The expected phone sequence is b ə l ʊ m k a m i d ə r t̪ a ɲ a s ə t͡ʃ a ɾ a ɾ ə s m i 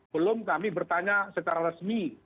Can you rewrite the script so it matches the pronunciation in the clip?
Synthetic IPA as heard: b ə l ʊ m k a m i b ə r t̪ a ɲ a s ə t͡ʃ a ɾ a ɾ ə s m i